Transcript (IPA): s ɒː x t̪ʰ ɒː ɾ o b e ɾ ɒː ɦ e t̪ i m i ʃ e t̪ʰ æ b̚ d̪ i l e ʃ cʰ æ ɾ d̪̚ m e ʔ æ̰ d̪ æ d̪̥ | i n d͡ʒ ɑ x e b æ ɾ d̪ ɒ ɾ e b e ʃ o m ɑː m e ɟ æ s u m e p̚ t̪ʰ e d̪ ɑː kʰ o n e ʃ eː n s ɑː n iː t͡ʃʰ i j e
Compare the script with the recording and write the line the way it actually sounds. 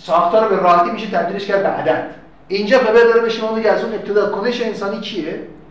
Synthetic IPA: s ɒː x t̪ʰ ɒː ɾ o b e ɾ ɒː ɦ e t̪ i m i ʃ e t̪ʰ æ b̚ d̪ i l e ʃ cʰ æ ɾ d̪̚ b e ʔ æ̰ d̪ æ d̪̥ | i n d͡ʒ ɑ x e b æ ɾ d̪ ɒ ɾ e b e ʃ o m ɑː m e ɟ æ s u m e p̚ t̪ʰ e d̪ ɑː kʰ o n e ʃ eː n s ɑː n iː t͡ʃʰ i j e